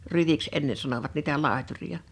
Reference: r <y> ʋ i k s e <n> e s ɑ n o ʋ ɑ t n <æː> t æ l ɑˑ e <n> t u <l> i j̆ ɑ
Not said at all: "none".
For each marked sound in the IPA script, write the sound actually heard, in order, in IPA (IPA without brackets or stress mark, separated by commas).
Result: y, nː, iː, none, r